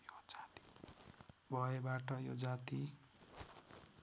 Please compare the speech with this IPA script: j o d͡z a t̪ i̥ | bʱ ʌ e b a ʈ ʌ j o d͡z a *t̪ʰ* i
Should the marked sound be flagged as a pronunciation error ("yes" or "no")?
yes